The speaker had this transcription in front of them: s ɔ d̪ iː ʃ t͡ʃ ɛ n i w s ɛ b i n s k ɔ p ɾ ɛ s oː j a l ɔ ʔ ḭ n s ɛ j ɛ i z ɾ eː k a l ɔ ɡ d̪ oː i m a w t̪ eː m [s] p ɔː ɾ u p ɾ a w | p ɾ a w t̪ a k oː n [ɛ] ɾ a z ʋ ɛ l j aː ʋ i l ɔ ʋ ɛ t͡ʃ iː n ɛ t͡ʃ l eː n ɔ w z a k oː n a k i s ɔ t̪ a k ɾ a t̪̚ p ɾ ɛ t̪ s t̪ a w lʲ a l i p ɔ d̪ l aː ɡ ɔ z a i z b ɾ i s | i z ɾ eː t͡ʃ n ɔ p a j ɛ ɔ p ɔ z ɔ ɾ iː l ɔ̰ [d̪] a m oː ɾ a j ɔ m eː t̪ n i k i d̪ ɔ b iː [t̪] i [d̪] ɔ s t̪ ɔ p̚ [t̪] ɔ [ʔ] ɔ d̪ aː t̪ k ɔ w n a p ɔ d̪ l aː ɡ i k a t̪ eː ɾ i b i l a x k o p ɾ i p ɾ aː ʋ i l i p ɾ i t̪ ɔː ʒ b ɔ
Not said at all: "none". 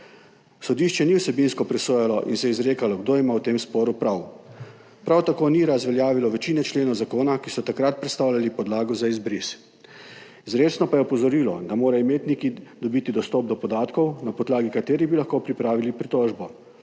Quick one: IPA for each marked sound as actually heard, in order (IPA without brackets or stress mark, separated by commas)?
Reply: s, i, d̪, t̪, d̪, d̪, p